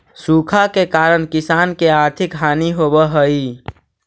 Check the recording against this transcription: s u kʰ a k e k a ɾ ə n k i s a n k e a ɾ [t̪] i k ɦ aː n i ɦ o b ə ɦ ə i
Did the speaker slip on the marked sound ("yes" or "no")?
yes